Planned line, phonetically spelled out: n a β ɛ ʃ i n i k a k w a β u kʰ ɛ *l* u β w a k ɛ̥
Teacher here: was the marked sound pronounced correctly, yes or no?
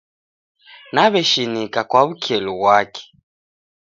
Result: yes